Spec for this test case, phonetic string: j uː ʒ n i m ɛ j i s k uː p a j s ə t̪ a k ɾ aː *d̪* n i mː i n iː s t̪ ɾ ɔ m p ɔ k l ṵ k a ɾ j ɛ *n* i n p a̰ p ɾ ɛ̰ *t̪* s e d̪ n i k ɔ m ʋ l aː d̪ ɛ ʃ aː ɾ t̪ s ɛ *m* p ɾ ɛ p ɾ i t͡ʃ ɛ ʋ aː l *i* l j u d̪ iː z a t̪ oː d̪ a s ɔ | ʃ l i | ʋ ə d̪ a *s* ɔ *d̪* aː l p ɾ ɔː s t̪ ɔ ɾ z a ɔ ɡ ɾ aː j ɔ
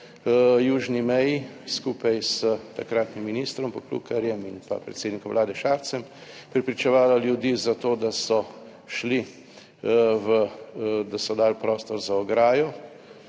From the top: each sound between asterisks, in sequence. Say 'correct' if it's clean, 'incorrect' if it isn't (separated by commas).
incorrect, incorrect, correct, correct, incorrect, correct, correct